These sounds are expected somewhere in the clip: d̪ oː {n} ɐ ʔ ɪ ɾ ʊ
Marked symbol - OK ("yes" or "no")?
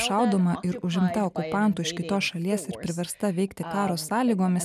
no